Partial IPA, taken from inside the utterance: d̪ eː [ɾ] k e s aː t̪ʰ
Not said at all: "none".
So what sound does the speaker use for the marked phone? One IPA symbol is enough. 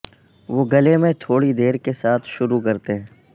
ɾ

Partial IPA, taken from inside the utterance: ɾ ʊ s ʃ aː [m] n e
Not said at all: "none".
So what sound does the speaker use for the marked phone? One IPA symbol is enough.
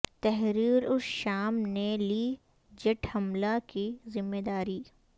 m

